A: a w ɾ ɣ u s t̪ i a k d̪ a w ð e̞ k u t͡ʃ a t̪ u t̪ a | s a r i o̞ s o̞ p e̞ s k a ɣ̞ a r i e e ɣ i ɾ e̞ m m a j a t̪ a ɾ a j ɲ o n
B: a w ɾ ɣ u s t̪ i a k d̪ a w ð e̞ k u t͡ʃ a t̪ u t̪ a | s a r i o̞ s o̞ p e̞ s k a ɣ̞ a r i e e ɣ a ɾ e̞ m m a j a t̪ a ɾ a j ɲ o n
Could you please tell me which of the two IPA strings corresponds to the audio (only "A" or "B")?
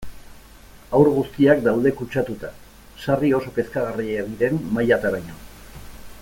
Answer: A